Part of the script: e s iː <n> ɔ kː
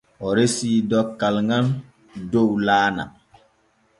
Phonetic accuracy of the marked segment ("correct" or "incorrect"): incorrect